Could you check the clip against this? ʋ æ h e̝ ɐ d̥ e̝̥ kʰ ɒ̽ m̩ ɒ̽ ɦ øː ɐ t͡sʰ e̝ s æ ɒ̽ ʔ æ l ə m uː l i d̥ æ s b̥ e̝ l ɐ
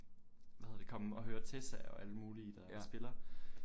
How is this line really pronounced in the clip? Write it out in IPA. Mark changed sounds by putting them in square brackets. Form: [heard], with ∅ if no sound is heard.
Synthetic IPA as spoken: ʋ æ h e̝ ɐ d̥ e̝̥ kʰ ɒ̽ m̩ ɒ̽ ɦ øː ɐ t͡sʰ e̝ s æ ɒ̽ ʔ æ l ə m uː l i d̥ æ s b̥ e̝ l ɐ